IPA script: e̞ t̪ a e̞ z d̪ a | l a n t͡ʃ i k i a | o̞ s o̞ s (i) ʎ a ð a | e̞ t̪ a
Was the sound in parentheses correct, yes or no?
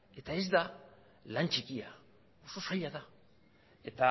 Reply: no